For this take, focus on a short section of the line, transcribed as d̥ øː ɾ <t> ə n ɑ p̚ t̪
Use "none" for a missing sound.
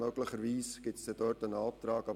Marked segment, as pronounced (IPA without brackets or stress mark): t